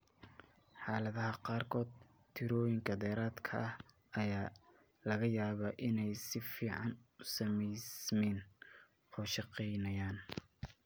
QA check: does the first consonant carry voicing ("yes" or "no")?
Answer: no